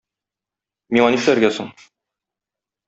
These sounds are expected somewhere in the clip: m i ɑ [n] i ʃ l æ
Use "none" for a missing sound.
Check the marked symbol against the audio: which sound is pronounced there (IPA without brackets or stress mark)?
n